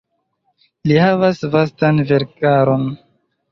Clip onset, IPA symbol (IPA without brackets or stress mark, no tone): l